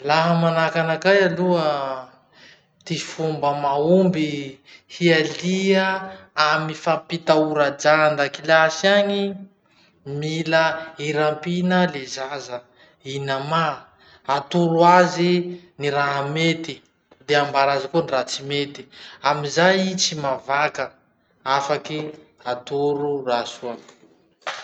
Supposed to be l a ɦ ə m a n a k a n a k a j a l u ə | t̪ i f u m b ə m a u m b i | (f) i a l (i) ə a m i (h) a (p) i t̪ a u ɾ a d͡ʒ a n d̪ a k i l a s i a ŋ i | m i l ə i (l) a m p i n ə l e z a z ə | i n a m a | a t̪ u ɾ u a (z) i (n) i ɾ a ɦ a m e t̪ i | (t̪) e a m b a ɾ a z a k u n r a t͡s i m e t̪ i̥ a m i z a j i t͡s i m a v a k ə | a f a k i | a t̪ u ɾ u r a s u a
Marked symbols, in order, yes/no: no, yes, no, yes, no, yes, yes, no

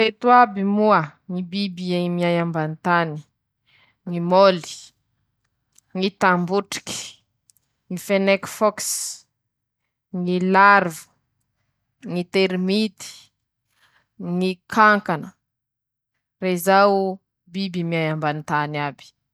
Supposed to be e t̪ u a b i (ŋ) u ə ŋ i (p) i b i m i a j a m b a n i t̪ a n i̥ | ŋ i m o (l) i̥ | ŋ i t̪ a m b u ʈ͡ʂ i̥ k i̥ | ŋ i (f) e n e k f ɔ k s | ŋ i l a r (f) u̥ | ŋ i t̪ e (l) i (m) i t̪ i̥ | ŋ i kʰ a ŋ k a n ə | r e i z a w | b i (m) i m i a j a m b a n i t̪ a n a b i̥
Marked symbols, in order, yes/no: no, no, yes, yes, no, no, yes, no

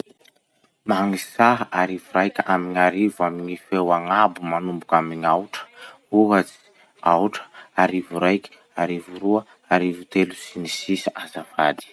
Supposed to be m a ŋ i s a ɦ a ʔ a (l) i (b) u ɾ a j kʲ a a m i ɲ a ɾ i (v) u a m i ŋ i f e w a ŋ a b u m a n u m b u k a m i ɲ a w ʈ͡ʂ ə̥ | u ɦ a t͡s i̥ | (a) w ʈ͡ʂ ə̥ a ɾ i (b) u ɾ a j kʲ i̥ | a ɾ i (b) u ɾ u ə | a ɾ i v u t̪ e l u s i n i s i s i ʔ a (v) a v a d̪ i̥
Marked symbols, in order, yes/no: no, no, yes, yes, no, no, no

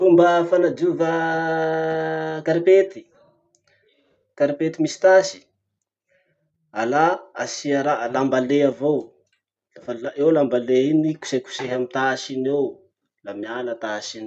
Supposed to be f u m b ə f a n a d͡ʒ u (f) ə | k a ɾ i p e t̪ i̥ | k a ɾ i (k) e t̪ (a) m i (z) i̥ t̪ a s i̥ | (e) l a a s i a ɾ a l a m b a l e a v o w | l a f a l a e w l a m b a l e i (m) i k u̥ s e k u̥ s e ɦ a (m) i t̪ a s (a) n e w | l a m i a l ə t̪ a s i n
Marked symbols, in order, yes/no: no, no, no, no, no, no, yes, no

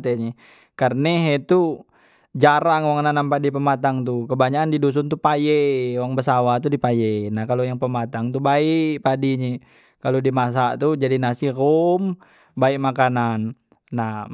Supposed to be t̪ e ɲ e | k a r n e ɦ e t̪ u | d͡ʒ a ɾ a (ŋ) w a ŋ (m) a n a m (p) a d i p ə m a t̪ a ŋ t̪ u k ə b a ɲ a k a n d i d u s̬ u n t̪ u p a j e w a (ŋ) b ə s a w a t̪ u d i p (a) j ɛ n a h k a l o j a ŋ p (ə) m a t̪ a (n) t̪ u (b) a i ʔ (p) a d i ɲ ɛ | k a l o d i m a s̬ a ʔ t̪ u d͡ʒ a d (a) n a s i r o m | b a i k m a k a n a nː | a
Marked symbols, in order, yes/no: yes, no, yes, yes, yes, yes, no, yes, yes, no

